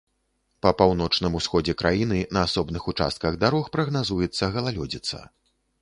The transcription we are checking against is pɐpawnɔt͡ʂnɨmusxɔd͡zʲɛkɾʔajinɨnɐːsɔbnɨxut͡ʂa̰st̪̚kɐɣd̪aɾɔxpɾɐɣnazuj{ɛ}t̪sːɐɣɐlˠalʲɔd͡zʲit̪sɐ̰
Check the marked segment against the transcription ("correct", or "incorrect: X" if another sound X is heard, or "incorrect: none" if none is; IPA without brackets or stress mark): correct